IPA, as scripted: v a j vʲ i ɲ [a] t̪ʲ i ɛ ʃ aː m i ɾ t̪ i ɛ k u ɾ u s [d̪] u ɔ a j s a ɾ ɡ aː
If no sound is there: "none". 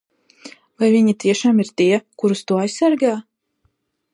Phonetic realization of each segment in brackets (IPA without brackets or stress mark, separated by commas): i, t̪